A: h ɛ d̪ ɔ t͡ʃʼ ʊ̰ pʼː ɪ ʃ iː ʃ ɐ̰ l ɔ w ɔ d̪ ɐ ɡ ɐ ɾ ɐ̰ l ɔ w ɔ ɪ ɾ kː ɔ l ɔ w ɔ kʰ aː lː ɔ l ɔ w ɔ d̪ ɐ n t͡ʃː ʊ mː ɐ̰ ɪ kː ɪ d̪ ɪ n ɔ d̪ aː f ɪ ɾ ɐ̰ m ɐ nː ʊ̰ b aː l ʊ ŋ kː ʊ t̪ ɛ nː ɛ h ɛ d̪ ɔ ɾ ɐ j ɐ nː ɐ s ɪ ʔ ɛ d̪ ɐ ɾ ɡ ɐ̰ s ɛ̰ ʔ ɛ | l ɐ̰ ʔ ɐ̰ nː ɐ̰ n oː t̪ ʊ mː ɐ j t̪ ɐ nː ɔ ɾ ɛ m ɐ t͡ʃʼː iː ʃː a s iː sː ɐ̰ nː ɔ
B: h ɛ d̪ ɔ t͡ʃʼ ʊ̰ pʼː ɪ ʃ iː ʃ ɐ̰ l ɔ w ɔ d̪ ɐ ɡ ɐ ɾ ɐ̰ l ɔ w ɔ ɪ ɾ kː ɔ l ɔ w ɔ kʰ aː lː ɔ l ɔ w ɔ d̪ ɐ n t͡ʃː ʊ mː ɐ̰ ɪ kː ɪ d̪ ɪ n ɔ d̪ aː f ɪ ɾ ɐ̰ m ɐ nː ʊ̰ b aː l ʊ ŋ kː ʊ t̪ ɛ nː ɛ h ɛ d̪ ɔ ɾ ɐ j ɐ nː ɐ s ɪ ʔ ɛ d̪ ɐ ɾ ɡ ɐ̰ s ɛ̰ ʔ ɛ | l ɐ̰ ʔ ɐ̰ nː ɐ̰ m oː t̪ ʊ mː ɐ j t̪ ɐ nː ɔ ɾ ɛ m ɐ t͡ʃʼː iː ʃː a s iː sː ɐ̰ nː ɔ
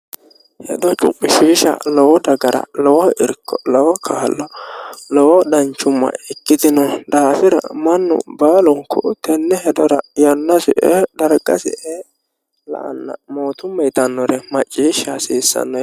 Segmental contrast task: B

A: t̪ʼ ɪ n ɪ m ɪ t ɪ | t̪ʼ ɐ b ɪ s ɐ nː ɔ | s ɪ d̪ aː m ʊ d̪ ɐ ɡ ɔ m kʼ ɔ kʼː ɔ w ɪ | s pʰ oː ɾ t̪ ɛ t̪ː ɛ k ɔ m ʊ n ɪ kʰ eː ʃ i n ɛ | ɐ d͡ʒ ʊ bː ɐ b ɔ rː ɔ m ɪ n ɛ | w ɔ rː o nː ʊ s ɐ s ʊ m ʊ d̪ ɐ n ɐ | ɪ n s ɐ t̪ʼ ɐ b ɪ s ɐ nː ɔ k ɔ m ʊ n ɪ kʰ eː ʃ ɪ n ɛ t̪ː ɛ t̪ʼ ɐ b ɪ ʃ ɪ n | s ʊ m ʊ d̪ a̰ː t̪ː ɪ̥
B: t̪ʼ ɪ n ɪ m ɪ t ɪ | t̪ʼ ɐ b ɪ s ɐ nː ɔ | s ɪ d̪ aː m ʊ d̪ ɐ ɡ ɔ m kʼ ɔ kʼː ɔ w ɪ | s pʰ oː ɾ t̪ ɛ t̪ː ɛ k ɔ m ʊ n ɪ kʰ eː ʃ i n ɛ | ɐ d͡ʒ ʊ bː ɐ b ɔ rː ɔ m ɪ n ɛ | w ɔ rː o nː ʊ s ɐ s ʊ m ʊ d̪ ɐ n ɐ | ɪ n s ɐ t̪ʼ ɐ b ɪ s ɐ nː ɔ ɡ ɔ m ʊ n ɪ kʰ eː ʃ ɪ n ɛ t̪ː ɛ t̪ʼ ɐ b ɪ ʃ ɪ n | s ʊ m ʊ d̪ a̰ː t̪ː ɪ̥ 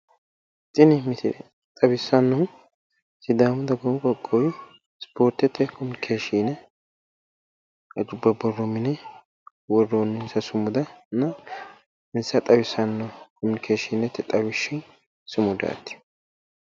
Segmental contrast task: A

